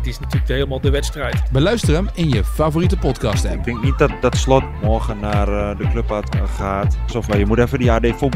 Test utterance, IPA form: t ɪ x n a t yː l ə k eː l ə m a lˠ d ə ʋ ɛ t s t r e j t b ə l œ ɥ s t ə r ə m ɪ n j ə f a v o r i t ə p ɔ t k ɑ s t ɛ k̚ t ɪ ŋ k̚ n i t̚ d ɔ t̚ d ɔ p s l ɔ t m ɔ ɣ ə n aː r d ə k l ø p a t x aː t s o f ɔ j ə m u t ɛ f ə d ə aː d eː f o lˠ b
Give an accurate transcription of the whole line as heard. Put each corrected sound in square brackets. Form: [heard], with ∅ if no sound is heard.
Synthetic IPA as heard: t ɪ [s] n a t yː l ə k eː l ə m a lˠ d ə ʋ ɛ t s t r [ɛ] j t b ə l œ ɥ s t ə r ə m ɪ n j ə f a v o r i t ə p ɔ t k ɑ s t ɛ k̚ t ɪ ŋ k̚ n i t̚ d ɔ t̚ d ɔ [t] s l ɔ t m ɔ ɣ ə n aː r d ə k l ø p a t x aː t s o f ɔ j ə m u t ɛ f ə d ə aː d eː f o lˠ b